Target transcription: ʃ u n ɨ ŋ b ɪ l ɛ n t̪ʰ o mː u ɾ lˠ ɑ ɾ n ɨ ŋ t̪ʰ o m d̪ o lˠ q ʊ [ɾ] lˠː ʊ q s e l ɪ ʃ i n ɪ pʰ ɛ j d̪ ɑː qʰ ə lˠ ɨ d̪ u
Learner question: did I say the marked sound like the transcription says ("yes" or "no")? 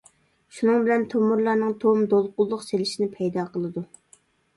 no